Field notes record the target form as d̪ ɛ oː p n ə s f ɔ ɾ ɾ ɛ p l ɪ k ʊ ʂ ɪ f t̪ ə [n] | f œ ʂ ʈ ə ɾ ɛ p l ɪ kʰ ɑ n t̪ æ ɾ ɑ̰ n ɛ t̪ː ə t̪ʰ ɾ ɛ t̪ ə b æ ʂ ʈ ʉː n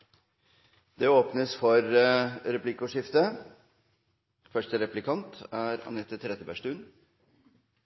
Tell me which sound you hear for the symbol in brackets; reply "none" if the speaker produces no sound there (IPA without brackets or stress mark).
none